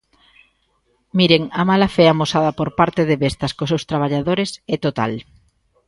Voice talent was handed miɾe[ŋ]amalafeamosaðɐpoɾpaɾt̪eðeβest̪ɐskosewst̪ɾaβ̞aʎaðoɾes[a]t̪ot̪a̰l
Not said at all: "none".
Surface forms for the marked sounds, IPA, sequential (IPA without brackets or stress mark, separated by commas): ŋ, ɛ